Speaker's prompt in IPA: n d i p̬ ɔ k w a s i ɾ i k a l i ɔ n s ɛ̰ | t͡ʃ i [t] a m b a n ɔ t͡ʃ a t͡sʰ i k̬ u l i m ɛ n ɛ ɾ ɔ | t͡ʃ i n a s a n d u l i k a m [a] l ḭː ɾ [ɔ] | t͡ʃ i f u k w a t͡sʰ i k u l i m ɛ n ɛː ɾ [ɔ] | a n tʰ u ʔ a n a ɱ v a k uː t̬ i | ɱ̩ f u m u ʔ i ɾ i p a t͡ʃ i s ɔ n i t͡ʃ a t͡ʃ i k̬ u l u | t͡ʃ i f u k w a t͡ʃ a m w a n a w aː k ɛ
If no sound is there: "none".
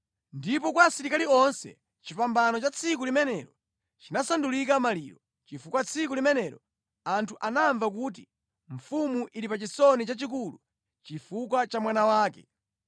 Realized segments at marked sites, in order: p, a, ɔ, ɔ

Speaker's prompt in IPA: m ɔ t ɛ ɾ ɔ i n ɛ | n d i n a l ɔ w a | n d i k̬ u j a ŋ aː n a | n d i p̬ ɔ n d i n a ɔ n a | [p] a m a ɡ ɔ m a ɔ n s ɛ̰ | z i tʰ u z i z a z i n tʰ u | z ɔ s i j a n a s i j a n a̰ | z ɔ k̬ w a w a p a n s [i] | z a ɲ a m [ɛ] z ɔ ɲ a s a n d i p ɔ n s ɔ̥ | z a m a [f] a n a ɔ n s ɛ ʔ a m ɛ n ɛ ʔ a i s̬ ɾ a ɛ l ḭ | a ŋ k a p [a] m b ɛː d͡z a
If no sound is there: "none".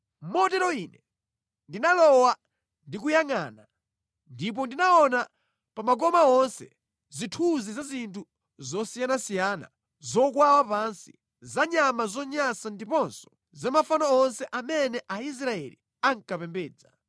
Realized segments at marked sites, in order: p, i, a, f, ɛ

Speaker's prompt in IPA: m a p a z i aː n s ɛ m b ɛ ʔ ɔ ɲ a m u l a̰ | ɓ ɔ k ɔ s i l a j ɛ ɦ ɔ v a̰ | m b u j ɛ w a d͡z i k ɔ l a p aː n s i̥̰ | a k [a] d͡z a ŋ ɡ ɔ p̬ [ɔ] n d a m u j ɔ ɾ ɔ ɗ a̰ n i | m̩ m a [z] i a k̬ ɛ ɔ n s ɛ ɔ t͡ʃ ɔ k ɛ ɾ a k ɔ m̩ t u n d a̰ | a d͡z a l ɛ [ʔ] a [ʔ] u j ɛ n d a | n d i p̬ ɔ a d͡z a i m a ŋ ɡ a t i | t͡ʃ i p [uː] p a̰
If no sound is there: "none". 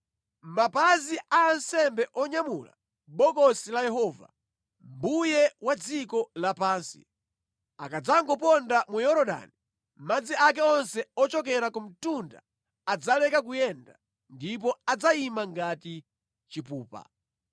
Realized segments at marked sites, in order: a, ɔ, d͡z, k, k, uː

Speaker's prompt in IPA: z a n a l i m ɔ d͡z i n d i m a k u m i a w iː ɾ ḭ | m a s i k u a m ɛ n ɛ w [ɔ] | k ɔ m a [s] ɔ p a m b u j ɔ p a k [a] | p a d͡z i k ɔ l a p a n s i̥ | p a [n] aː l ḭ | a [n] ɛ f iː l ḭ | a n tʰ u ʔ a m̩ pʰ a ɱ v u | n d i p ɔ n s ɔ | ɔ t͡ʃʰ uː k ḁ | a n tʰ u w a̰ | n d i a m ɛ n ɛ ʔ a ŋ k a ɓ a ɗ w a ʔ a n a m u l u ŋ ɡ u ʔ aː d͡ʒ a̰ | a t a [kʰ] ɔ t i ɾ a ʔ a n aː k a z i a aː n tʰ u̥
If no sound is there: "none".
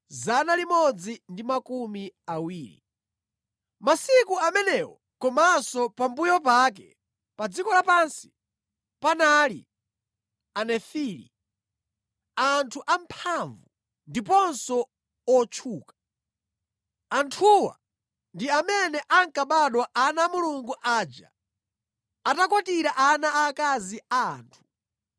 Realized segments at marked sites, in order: ɔ, s, ɛ, n, n, k

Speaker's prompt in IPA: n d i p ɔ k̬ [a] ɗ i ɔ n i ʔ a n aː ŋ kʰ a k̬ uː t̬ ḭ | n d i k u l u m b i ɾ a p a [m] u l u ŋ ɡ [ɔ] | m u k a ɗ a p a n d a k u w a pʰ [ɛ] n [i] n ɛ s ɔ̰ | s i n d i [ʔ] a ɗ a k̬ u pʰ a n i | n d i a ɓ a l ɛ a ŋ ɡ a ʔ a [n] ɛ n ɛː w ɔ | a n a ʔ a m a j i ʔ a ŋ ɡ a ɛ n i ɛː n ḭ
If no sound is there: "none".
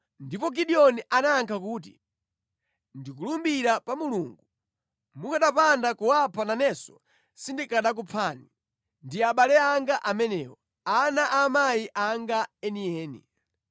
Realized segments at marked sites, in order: i, m, u, a, a, k, m

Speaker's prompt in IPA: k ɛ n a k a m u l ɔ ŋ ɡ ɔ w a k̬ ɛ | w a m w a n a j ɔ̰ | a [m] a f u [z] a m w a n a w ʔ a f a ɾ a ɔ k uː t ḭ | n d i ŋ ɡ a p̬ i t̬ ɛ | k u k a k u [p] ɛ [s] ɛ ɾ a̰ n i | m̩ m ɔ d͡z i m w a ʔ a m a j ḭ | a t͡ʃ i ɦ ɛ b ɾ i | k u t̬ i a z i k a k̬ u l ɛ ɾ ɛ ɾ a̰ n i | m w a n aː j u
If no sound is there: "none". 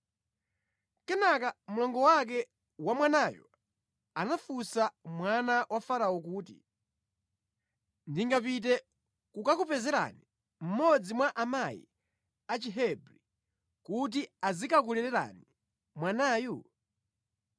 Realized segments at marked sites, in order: n, s, p, z

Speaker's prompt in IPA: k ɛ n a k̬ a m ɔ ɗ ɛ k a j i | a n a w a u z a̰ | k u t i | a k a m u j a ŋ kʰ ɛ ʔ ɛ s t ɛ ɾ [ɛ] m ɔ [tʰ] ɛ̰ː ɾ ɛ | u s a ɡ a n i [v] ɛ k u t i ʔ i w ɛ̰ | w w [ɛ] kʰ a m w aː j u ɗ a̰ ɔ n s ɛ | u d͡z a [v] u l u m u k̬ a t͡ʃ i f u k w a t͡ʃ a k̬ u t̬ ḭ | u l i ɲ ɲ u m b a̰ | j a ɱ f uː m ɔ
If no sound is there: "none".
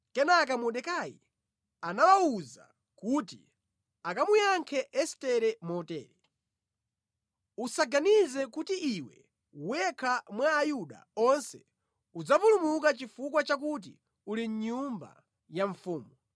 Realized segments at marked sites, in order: ɛ, t, z, ɛ, v

